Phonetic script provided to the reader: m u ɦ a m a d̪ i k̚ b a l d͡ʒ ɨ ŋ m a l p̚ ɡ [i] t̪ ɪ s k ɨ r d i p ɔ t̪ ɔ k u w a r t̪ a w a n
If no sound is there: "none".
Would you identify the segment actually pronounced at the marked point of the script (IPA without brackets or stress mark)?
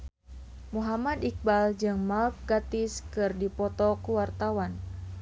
a